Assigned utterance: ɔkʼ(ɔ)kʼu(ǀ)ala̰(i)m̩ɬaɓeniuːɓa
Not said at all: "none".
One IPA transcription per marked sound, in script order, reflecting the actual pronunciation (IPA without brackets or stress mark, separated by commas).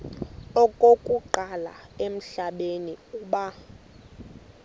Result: o, ǃ, e